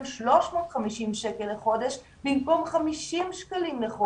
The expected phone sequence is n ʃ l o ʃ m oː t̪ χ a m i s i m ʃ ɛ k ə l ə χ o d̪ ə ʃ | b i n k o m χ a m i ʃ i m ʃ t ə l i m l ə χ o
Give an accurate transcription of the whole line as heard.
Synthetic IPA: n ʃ l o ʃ m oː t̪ χ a m i ʃ i m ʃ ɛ k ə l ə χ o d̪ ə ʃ | b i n k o m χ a m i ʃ i m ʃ k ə l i m l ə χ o